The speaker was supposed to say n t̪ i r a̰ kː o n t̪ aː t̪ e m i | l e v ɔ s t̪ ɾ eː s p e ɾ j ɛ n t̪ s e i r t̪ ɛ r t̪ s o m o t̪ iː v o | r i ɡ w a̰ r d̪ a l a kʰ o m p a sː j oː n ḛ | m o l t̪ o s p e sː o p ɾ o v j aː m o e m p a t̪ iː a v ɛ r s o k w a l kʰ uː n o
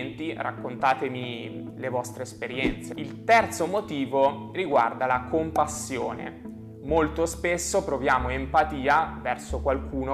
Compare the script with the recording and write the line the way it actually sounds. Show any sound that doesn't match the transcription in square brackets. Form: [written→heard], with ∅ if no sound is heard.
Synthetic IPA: n t̪ i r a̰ kː o n t̪ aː t̪ e m i | l e v ɔ s t̪ ɾ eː s p e ɾ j ɛ n t̪ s e i [r→l] t̪ ɛ r t̪ s o m o t̪ iː v o | r i ɡ w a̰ r d̪ a l a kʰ o m p a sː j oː n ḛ | m o l t̪ o s p e sː o p ɾ o v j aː m o e m p a t̪ iː a v ɛ r s o k w a l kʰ uː n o